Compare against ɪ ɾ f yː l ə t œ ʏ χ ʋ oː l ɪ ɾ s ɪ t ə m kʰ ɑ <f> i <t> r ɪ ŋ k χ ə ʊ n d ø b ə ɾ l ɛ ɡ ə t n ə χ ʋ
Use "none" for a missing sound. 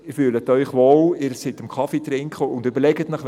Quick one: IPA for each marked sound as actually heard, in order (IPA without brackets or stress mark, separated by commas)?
f, t